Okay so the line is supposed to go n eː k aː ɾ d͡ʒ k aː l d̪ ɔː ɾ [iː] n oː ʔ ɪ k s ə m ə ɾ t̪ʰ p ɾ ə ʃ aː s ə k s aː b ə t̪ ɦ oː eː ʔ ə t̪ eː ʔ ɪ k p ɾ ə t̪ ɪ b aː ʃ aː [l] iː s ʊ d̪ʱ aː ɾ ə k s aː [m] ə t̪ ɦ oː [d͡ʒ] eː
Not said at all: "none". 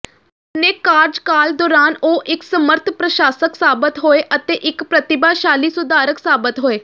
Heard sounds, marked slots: aː, l, b, none

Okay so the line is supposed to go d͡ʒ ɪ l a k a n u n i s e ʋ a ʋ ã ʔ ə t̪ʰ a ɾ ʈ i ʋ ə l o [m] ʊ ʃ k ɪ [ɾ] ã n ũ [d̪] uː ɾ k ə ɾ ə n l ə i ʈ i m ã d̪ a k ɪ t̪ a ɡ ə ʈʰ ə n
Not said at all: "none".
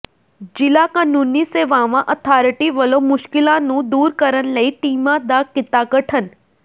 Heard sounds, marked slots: m, l, d̪

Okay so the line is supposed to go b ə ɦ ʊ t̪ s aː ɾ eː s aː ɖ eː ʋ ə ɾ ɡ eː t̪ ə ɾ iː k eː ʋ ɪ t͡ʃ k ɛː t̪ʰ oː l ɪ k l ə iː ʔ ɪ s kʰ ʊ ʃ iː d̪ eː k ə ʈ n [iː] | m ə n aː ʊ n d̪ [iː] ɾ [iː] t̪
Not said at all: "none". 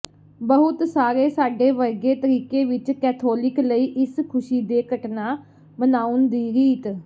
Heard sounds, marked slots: aː, iː, iː

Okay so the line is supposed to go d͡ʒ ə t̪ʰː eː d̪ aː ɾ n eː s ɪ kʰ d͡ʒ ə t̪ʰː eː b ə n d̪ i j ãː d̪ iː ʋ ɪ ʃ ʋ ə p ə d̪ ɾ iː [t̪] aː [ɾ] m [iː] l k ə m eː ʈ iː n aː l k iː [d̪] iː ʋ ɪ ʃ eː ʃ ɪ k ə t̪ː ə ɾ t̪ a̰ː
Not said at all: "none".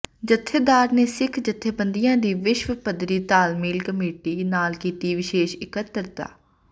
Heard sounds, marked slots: t̪, l, iː, t̪

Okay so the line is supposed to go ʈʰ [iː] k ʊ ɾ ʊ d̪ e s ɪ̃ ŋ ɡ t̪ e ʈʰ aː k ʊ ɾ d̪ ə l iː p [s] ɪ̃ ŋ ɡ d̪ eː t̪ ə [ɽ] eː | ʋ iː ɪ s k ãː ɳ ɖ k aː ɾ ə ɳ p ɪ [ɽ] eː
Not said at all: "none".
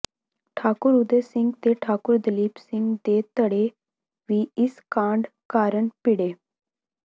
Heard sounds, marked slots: aː, s, ɽ, ɽ

